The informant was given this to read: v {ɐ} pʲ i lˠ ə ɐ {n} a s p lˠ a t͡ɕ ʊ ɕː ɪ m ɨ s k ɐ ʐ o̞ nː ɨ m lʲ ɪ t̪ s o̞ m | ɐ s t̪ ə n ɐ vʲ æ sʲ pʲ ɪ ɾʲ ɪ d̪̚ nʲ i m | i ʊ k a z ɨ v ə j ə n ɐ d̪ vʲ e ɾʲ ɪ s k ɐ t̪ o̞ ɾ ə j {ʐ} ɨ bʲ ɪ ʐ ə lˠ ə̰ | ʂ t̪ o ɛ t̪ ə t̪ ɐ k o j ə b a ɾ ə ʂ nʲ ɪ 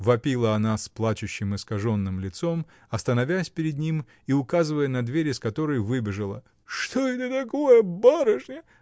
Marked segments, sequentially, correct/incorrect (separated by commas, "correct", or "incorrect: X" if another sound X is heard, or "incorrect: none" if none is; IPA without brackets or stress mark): correct, correct, incorrect: v